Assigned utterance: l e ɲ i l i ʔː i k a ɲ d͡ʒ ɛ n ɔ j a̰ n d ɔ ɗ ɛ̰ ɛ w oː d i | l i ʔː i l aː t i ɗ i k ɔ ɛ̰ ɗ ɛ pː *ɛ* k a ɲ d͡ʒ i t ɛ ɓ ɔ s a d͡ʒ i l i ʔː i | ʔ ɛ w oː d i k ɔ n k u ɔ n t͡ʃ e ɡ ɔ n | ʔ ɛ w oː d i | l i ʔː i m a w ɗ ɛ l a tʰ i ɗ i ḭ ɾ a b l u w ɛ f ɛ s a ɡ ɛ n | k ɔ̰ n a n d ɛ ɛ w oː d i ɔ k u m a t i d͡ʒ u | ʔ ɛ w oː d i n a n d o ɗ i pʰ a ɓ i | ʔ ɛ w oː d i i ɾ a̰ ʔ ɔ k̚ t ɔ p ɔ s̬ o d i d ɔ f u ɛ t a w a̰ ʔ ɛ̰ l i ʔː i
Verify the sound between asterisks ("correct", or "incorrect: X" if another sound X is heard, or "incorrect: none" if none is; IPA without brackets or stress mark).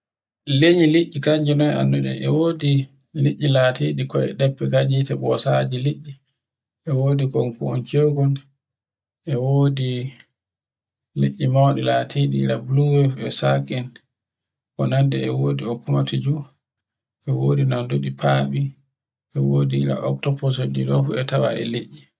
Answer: correct